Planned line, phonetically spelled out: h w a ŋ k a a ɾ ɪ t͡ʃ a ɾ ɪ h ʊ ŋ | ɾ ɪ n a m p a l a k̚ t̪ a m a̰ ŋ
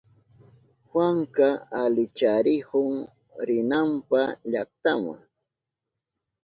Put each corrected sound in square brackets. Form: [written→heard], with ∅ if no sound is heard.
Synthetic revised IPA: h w a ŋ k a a [ɾ→l] ɪ t͡ʃ a ɾ ɪ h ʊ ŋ | ɾ ɪ n a m p a [l→ʎ] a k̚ t̪ a m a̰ ŋ